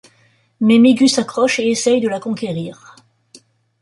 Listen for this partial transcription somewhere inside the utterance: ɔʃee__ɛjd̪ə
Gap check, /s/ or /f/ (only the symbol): s